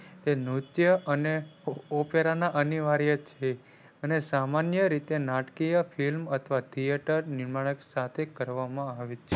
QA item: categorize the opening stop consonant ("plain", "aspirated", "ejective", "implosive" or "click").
plain